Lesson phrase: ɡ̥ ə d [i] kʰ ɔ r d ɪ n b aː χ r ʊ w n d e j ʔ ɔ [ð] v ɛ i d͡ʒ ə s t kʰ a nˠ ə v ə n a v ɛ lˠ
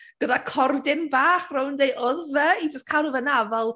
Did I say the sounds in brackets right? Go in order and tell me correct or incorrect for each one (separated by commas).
incorrect, correct